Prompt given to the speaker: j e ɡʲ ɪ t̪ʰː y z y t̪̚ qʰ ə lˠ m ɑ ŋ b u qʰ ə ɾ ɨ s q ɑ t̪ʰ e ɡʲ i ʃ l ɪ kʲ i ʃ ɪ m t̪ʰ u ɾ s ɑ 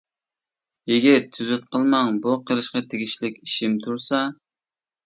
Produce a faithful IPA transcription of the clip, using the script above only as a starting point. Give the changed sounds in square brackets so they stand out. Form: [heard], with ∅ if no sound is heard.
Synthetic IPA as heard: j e ɡʲ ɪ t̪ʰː y z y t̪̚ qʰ ə lˠ m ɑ ŋ b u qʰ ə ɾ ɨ [ʃ] q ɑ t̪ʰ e ɡʲ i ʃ l ɪ kʲ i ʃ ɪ m t̪ʰ u ɾ s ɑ